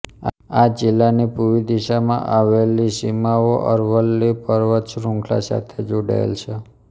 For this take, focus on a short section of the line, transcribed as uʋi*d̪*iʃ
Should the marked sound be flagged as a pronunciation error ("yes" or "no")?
no